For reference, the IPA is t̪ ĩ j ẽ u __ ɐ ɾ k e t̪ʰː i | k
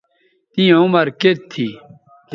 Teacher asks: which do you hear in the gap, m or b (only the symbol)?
m